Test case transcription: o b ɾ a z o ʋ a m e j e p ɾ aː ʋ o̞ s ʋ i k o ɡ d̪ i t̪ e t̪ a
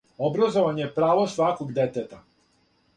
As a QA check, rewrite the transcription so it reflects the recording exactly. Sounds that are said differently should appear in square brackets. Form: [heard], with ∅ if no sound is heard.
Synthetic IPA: o b ɾ a z o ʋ a [ɲ] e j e p ɾ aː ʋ o̞ s ʋ [a] k o ɡ d̪ [e] t̪ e t̪ a